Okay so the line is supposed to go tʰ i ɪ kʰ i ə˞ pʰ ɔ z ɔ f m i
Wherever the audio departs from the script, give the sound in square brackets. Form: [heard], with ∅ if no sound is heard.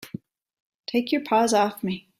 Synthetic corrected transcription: tʰ [e] ɪ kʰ [j] ə˞ pʰ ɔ z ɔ f m i